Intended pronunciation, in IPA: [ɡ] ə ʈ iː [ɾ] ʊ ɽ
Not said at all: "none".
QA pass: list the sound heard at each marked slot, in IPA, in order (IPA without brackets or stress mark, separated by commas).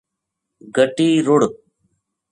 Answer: ɡ, ɾ